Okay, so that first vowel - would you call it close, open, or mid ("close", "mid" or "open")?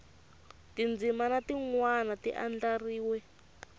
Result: close